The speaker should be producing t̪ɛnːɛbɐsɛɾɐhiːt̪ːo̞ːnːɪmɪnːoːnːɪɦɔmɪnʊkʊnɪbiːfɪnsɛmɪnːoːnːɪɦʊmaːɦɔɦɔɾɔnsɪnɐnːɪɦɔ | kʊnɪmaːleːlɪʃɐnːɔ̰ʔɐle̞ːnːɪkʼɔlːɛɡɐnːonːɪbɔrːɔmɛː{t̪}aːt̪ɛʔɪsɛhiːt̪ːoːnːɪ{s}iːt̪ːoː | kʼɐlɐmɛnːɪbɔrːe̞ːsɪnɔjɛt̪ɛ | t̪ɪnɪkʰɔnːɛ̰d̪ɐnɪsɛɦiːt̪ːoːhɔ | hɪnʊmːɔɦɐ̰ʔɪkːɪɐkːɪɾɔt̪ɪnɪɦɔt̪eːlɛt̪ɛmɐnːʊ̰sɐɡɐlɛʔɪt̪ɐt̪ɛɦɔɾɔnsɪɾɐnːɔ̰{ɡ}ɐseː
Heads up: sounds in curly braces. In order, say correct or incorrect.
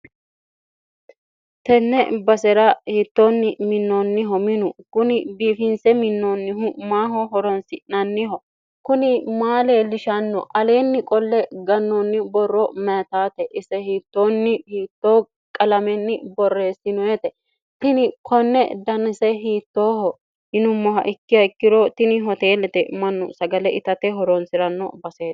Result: correct, incorrect: h, incorrect: b

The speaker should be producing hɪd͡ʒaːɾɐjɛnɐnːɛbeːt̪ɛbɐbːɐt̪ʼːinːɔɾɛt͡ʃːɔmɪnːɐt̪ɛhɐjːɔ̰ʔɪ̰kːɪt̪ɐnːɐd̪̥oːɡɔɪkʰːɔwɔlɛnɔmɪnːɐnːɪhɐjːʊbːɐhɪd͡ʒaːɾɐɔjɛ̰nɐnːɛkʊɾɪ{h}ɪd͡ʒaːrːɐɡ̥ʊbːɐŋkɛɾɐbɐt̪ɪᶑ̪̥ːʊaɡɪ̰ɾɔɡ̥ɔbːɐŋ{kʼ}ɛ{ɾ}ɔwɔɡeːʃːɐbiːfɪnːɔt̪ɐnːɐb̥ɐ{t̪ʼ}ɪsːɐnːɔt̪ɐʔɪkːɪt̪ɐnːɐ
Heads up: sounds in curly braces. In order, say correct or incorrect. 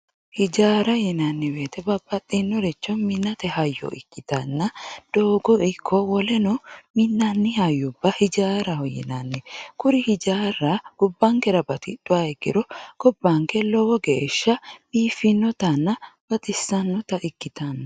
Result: correct, incorrect: k, incorrect: l, incorrect: t̪

